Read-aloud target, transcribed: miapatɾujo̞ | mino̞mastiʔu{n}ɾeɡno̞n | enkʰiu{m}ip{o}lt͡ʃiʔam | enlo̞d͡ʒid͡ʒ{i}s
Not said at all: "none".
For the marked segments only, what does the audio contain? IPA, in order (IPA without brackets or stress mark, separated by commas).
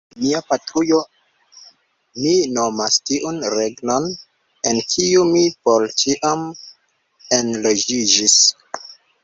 n, m, o, i